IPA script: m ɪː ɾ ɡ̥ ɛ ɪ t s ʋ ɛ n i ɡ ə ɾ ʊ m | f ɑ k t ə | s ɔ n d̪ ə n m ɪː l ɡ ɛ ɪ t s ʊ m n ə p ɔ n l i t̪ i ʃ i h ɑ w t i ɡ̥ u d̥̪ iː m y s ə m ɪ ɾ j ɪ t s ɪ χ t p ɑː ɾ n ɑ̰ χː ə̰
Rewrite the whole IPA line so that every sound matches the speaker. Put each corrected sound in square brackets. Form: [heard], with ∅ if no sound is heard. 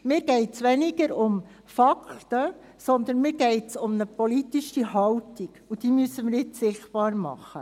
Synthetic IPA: m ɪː ɾ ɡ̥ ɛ ɪ t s ʋ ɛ n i ɡ ə ɾ ʊ m | f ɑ k t ə | s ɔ n d̪ ə n m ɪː [ɾ] ɡ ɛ ɪ t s ʊ m n ə p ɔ [∅] l i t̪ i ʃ i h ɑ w t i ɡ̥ u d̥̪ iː m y s ə m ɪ ɾ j ɪ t s ɪ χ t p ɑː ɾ [m] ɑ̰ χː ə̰